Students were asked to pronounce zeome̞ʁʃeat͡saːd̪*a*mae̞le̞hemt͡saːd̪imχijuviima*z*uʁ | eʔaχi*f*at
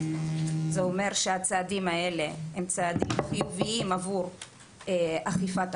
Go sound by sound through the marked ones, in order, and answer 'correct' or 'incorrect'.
incorrect, incorrect, correct

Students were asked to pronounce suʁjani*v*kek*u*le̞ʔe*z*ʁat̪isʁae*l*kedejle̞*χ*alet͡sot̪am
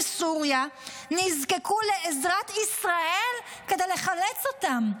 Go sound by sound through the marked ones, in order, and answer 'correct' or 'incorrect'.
incorrect, correct, correct, correct, correct

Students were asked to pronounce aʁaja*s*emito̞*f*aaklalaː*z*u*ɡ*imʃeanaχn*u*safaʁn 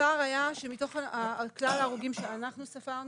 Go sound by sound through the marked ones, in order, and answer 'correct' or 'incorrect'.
incorrect, incorrect, incorrect, correct, correct

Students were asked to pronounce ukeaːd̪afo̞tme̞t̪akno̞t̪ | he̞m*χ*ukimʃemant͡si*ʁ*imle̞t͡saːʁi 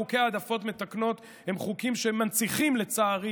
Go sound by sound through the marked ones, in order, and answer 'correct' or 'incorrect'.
correct, incorrect

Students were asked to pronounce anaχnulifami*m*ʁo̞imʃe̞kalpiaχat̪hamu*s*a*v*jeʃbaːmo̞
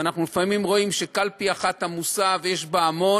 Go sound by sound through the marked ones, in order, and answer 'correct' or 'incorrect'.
correct, correct, correct

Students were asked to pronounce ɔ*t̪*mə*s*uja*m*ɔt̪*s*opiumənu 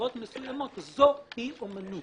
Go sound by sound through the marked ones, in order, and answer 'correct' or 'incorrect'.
correct, correct, correct, incorrect

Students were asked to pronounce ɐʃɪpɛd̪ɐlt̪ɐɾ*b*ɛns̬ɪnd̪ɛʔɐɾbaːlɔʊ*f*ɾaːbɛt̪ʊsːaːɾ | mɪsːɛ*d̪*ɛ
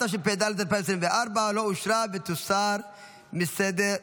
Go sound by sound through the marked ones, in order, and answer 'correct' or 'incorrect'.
incorrect, incorrect, correct

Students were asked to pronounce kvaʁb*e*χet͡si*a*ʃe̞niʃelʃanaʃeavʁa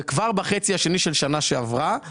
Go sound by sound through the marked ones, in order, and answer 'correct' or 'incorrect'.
incorrect, correct

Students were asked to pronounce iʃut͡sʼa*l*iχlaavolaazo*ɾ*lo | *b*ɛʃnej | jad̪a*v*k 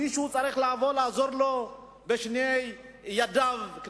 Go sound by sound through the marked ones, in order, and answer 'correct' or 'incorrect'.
incorrect, correct, correct, correct

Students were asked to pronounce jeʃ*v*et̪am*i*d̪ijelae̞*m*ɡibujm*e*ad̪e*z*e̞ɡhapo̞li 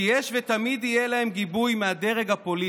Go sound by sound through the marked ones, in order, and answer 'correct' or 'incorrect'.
correct, correct, correct, correct, incorrect

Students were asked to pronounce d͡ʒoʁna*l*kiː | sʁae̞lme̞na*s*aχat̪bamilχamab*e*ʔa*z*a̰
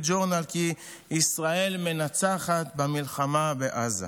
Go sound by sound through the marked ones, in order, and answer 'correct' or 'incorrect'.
correct, incorrect, correct, correct

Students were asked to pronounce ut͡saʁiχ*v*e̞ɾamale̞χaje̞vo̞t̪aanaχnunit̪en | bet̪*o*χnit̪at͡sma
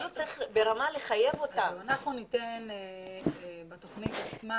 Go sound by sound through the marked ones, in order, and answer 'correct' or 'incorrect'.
incorrect, correct

